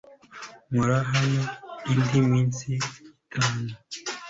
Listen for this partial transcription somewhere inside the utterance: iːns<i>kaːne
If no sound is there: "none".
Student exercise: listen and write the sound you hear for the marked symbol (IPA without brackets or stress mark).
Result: i